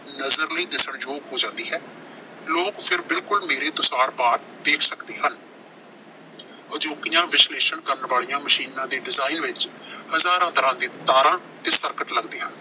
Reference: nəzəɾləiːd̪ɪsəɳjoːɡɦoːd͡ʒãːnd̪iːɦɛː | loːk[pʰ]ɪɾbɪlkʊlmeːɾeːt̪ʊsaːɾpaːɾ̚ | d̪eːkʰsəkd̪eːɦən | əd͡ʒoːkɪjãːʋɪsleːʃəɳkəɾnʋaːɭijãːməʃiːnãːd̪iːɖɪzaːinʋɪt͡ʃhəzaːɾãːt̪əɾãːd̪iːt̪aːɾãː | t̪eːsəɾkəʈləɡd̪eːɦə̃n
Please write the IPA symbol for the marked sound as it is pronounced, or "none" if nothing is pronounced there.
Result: pʰ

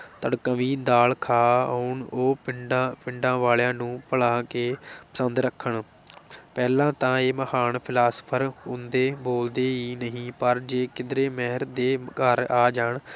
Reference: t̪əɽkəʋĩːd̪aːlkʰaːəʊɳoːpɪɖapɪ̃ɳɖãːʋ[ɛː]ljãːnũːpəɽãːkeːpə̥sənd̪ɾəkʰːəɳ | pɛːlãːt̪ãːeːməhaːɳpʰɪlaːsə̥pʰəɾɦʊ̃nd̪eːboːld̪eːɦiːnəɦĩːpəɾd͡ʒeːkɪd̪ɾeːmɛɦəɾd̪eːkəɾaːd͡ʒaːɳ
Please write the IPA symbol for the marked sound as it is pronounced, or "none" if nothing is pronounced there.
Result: aː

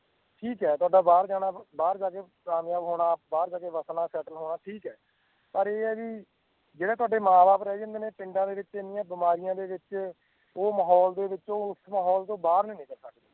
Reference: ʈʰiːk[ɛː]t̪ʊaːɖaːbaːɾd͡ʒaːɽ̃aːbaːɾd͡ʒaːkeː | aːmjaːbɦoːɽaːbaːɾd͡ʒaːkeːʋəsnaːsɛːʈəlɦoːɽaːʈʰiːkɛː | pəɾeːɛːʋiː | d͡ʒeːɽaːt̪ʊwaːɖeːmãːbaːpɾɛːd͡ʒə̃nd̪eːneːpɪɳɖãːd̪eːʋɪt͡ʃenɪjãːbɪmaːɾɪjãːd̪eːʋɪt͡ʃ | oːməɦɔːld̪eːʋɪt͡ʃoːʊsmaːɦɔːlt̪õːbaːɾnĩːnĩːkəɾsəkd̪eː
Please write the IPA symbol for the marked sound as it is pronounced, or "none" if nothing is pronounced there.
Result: ɛː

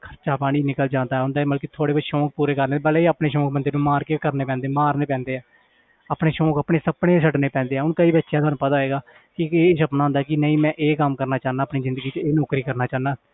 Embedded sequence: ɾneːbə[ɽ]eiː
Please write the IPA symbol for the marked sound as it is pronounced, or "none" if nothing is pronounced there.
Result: l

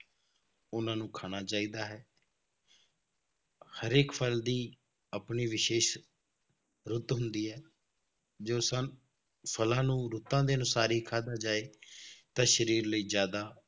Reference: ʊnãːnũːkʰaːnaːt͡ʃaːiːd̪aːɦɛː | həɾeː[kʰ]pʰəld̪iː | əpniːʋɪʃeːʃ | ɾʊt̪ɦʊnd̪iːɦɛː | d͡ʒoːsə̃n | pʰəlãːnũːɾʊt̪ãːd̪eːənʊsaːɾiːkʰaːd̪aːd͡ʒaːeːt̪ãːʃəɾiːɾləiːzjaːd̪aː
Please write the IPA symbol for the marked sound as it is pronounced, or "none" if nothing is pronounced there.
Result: k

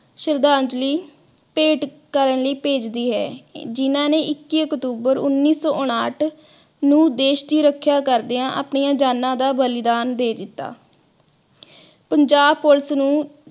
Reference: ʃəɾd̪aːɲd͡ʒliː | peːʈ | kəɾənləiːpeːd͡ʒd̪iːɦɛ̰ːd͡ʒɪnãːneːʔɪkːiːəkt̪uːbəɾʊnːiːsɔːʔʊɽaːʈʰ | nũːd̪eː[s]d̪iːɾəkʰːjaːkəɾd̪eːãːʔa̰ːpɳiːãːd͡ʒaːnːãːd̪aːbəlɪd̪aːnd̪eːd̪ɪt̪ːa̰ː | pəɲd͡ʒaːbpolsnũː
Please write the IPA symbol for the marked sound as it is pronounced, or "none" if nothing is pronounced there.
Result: ʃ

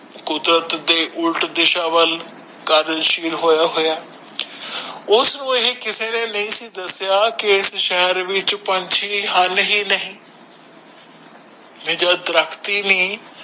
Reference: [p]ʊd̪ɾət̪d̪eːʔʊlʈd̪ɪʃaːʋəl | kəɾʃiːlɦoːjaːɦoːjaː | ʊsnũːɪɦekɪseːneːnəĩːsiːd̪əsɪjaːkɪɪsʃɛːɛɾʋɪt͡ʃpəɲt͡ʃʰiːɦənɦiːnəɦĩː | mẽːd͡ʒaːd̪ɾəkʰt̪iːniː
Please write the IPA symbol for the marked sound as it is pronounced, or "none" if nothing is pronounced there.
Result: k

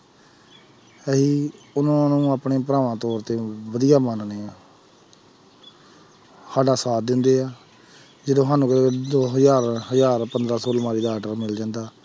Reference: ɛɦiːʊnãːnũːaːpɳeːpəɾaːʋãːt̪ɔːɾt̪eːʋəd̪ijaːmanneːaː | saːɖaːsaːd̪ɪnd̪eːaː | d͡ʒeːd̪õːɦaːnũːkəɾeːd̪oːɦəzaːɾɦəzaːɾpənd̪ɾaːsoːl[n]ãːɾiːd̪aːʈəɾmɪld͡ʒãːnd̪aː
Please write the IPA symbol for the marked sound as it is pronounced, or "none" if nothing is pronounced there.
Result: m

